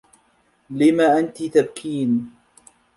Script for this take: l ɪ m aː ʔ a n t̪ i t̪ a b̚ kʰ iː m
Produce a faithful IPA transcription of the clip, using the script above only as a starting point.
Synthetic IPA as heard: l ɪ m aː ʔ a n t̪ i t̪ a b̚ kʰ iː n